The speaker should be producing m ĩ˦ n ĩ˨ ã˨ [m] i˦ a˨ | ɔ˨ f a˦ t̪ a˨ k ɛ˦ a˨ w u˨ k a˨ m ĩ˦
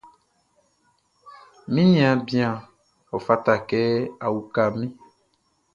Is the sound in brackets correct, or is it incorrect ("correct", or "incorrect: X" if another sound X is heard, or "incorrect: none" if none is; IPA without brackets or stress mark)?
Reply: incorrect: b